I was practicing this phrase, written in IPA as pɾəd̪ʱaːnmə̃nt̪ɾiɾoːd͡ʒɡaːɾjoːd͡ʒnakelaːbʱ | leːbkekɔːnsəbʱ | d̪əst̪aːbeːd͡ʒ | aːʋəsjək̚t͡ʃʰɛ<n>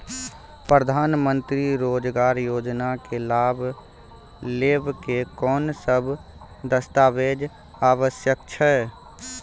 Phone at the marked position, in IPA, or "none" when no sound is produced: none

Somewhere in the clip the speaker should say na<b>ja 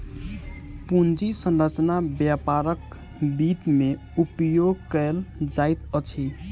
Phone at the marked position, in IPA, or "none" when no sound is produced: b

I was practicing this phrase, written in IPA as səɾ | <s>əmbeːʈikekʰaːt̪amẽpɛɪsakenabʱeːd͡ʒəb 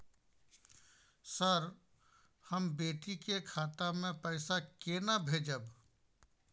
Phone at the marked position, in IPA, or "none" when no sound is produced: h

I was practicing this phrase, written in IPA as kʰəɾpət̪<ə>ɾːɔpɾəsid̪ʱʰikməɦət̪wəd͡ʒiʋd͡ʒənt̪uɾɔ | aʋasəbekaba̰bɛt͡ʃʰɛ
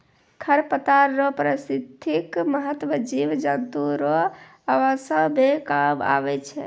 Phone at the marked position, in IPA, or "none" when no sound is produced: a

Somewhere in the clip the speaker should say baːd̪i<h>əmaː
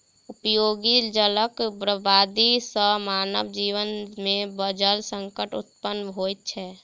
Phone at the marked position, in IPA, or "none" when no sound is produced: s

